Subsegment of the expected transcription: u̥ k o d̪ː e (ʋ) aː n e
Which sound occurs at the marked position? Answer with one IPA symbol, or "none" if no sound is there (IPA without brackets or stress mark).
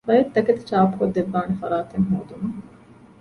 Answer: ʋː